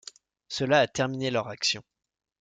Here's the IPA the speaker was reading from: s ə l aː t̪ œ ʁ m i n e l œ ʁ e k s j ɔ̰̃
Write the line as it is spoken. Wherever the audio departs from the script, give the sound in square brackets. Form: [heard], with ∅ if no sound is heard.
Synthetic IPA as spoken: s ə l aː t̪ [ɛ] ʁ m i n e l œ ʁ [a] k s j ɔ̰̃